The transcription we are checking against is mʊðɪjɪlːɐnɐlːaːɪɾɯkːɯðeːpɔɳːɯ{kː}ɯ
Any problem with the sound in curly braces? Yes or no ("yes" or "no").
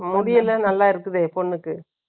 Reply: no